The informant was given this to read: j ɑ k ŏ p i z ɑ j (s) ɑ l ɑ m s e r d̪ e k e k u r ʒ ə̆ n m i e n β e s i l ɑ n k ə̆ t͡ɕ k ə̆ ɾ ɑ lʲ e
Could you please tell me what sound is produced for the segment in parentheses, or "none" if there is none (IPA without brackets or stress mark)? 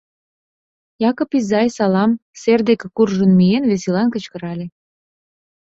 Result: s